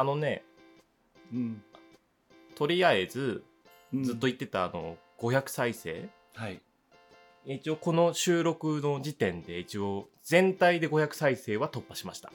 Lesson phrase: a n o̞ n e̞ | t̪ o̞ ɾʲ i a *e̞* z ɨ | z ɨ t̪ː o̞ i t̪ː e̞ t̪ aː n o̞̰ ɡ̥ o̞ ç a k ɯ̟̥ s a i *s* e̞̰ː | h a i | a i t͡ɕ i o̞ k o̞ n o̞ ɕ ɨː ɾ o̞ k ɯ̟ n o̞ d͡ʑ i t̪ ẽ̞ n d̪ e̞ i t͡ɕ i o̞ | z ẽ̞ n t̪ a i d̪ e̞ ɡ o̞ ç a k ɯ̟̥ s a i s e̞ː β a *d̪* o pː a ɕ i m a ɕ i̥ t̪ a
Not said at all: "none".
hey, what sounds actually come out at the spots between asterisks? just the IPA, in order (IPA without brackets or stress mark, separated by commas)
e̞, s, t̪